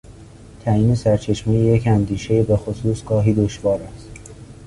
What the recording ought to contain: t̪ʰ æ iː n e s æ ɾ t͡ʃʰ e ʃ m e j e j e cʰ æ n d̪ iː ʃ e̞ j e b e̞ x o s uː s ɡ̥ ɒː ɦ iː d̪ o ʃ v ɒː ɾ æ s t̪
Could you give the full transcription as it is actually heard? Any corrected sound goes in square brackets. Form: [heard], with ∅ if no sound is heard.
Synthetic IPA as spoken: t̪ʰ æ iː n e s æ ɾ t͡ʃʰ e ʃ m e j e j e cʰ æ n d̪ iː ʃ e̞ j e b e̞ x o s uː s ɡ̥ ɒː ɦ iː d̪ o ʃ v ɒː ɾ æ s t̪